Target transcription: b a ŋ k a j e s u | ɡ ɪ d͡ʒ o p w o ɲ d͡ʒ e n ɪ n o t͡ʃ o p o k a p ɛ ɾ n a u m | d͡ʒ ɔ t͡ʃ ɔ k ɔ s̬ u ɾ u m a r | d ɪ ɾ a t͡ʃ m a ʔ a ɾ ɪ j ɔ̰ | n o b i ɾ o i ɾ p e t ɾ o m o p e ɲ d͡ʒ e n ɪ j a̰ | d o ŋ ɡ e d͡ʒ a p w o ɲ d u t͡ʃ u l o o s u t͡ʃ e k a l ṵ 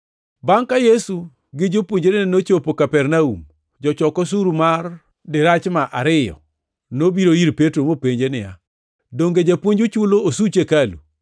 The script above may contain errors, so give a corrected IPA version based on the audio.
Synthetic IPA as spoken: b a ŋ k a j e s u | ɡ ɪ d͡ʒ o p w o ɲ d͡ʒ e n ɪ n o t͡ʃ o p o k a p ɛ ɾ n a u m | d͡ʒ ɔ t͡ʃ ɔ k ɔ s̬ u ɾ u m a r | d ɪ ɾ a t͡ʃ m a ʔ a ɾ ɪ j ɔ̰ | n o b i ɾ o i ɾ p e t ɾ o m o p e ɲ d͡ʒ e n ɪ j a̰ | d o ŋ ɡ e d͡ʒ a p w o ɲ d͡ʒ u t͡ʃ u l o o s u t͡ʃ e k a l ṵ

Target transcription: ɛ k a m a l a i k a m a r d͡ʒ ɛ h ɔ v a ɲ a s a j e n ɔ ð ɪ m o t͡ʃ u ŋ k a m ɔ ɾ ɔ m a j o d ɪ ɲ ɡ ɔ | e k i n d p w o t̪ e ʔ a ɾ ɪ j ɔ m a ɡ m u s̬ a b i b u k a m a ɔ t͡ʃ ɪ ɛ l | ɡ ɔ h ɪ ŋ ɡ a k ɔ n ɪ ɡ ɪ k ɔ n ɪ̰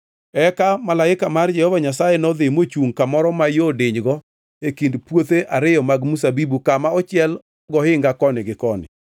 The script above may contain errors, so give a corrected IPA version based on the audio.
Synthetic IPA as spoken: ɛ k a m a l a ɪ k a m a r d͡ʒ ɛ h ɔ v a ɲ a s a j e n ɔ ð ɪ m o t͡ʃ u ŋ k a m ɔ ɾ ɔ m a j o d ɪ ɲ ɡ ɔ | e k i n d p w o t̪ e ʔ a ɾ ɪ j ɔ m a ɡ m u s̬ a b i b u k a m a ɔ t͡ʃ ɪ ɛ l | ɡ ɔ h ɪ ŋ ɡ a k ɔ n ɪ ɡ ɪ k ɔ n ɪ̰

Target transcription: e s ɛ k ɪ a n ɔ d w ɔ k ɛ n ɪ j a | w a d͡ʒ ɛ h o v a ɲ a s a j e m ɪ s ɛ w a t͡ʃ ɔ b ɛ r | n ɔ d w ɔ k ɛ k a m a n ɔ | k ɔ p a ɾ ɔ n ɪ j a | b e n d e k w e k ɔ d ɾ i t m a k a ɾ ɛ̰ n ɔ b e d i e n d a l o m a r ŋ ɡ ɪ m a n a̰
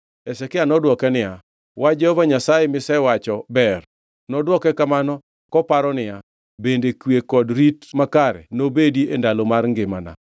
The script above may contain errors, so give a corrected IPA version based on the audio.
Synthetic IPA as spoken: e s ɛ k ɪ a n ɔ d w ɔ k ɛ n ɪ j a | w a d͡ʒ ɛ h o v a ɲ a s a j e m ɪ s ɛ w a t͡ʃ ɔ b ɛ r | n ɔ d w ɔ k ɛ k a m a n ɔ | k ɔ p a ɾ ɔ n ɪ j a | b e n d e k w e k ɔ d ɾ i t m a k a ɾ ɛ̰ n o b e d i e n d a l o m a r ŋ ɡ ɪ m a n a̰

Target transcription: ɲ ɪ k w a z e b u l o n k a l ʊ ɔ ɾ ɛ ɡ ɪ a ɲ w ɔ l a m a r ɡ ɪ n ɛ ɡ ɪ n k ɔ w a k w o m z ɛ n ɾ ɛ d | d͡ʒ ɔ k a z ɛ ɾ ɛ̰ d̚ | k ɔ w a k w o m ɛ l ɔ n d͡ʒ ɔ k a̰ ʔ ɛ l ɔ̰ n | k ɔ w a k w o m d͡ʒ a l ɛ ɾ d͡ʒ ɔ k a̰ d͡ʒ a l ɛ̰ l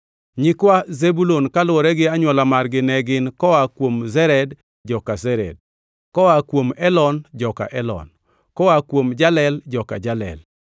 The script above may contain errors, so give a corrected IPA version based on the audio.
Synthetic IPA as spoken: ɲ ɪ k w a z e b u l o n k a l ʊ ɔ ɾ ɛ ɡ ɪ a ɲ w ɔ l a m a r ɡ ɪ n ɛ ɡ ɪ n k ɔ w a k w o m z ɛ ɾ ɛ d | d͡ʒ ɔ k a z ɛ ɾ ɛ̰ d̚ | k ɔ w a k w o m ɛ l ɔ n d͡ʒ ɔ k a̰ ʔ ɛ l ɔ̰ n | k ɔ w a k w o m d͡ʒ a l ɛ l d͡ʒ ɔ k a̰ d͡ʒ a l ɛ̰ l

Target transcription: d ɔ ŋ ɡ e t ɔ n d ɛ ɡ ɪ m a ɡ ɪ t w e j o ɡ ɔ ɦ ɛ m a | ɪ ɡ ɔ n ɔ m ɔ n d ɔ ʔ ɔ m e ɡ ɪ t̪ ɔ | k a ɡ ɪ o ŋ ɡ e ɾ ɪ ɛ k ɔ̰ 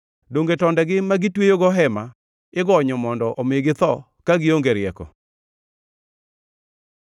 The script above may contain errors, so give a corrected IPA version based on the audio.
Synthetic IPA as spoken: d o ŋ ɡ e t ɔ n d ɛ ɡ ɪ m a ɡ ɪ t w e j o ɡ ɔ ɦ ɛ m a | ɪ ɡ ɔ ɲ ɔ m ɔ n d ɔ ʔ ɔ m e ɡ ɪ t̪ ɔ | k a ɡ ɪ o ŋ ɡ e ɾ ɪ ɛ k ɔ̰

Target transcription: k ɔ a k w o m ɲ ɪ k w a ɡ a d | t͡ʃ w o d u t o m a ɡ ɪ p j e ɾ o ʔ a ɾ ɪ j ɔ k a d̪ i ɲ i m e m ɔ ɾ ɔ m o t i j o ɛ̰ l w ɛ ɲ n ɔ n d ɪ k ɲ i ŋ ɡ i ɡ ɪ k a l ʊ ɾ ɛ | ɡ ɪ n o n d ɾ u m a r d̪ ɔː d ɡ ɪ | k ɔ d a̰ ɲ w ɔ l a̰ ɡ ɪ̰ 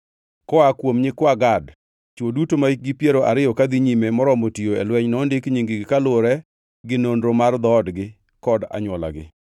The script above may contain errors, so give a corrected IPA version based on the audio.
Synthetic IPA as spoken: k ɔ a k w o m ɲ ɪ k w a ɡ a d | t͡ʃ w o d u t o m a ɡ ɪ p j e ɾ o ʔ a ɾ ɪ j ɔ k a d̪ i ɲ i m e m ɔ ɾ ɔ m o t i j o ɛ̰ l w ɛ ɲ n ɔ n d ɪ k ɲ i ŋ ɡ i ɡ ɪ k a l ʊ ɾ ɛ | ɡ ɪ n o n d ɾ o m a r d̪ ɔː d ɡ ɪ | k ɔ d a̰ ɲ w ɔ l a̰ ɡ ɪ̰

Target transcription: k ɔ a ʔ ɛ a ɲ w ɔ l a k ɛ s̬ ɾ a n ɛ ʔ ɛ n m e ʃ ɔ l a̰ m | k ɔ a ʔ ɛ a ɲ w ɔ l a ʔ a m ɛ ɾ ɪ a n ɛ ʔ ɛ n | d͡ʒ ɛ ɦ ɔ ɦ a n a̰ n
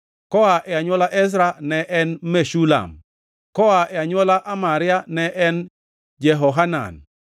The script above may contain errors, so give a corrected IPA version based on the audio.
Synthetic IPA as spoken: k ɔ a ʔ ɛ a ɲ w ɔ l a ʔ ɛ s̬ ɾ a n ɛ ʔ ɛ n m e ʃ u l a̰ m | k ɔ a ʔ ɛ a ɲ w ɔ l a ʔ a m a ɾ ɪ a n ɛ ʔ ɛ n | d͡ʒ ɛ ɦ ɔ ɦ a n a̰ n

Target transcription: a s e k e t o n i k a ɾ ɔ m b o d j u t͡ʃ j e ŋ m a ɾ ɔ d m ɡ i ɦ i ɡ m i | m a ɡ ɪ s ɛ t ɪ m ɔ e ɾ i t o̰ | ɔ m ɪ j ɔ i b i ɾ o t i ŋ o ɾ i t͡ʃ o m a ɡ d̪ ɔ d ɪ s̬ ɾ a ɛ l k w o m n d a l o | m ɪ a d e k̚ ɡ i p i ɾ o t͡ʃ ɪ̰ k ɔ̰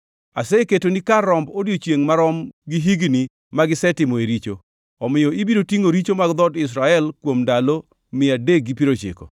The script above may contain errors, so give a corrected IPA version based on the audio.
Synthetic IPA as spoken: a s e k e t o n i k a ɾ ɔ m b o d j o t͡ʃ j e ŋ m a ɾ ɔ m ɡ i ɦ i ɡ n i | m a ɡ ɪ s ɛ t ɪ m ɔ e ɾ i t͡ʃ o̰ | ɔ m ɪ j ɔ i b i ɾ o t i ŋ o ɾ i t͡ʃ o m a ɡ d̪ ɔ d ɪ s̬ ɾ a ɛ l k w o m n d a l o | m ɪ a d e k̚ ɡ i p i ɾ o t͡ʃ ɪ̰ k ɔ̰

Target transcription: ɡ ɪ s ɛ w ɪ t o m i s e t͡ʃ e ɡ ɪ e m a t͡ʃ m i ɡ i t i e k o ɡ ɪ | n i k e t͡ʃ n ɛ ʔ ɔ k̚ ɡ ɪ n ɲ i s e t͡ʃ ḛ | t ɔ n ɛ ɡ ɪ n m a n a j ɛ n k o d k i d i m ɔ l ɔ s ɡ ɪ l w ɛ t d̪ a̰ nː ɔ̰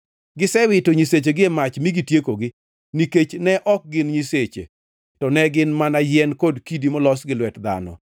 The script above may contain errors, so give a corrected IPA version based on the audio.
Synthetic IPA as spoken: ɡ ɪ s ɛ w ɪ t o ɲ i s e t͡ʃ e ɡ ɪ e m a t͡ʃ m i ɡ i t j e k o ɡ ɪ | n i k e t͡ʃ n ɛ ʔ ɔ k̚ ɡ ɪ n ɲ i s e t͡ʃ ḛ | t ɔ n ɛ ɡ ɪ n m a n a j ɛ n k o d k i d i m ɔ l ɔ s ɡ ɪ l w ɛ t d̪ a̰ n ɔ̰

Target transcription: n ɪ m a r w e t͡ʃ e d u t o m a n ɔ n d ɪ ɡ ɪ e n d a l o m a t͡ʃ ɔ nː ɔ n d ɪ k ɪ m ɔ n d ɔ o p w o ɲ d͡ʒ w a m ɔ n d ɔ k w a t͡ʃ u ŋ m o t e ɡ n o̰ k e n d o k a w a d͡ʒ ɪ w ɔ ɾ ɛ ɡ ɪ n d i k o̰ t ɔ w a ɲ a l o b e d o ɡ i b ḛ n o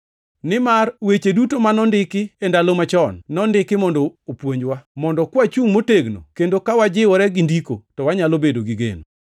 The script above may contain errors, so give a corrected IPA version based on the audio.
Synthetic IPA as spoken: n ɪ m a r w e t͡ʃ e d u t o m a n ɔ n d ɪ k ɪ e n d a l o m a t͡ʃ ɔ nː ɔ n d ɪ k ɪ m ɔ n d ɔ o p w o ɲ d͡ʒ w a m ɔ n d ɔ k w a t͡ʃ u ŋ m o t e ɡ n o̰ k e n d o k a w a d͡ʒ ɪ w ɔ ɾ ɛ ɡ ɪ n d i k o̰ t ɔ w a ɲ a l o b e d o ɡ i ɡ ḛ n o

